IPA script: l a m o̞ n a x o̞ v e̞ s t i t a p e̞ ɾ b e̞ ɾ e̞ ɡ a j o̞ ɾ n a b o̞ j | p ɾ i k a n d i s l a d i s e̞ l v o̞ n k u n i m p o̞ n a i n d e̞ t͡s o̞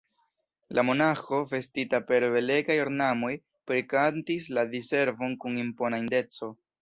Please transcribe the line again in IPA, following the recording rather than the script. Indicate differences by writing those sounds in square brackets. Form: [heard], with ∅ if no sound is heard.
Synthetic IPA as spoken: l a m o̞ n a x o̞ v e̞ s t i t a p e̞ ɾ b e̞ [l] e̞ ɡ a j o̞ ɾ n a [m] o̞ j | p ɾ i k a n [t] i s l a d i s e̞ [ɾ] v o̞ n k u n i m p o̞ n a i n d e̞ t͡s o̞